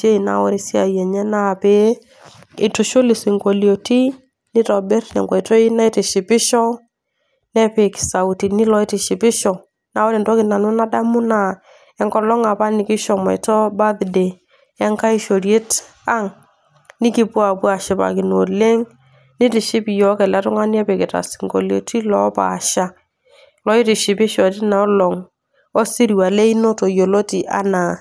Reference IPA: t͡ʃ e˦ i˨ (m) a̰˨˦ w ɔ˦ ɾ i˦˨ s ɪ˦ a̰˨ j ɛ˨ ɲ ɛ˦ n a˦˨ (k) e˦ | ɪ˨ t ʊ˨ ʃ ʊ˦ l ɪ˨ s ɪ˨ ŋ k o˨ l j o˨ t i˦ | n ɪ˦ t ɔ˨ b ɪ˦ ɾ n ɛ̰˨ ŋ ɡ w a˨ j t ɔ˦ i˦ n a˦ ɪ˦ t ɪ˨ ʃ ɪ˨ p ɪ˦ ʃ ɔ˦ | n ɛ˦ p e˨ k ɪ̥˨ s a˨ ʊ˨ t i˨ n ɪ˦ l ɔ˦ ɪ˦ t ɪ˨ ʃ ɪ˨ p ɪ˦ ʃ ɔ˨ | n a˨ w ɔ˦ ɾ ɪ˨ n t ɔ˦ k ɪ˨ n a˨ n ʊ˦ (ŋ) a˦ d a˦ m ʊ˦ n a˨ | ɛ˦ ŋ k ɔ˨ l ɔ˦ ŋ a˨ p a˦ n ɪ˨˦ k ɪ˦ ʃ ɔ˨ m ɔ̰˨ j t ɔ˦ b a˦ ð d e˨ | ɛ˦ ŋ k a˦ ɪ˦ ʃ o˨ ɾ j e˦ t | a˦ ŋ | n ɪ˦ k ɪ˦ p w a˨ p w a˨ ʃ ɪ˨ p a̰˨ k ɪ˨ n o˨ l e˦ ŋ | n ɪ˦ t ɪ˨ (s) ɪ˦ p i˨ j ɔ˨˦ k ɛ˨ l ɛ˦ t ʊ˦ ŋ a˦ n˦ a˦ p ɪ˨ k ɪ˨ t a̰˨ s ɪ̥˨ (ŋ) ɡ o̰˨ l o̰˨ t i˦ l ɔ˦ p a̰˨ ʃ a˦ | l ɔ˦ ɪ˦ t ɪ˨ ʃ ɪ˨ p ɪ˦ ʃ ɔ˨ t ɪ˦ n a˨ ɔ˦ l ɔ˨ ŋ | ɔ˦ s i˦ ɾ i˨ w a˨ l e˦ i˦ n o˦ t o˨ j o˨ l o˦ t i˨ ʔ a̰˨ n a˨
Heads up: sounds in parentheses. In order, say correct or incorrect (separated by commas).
incorrect, incorrect, incorrect, incorrect, correct